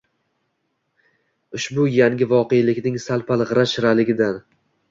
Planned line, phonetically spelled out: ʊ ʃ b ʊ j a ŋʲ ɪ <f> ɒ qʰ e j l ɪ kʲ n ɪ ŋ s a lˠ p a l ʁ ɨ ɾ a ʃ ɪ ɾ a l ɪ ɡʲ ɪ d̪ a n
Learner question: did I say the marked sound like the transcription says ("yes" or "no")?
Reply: no